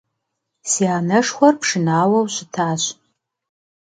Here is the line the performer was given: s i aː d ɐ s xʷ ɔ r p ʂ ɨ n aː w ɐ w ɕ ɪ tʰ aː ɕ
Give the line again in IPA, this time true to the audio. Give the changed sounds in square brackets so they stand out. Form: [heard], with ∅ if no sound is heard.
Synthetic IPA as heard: s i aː [n] ɐ [ʂ] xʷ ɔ r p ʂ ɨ n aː w ɐ w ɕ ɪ tʰ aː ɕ